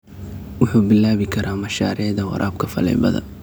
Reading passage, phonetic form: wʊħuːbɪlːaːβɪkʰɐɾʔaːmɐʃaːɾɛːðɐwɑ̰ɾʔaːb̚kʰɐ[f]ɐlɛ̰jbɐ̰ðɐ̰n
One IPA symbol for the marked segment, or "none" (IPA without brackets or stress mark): f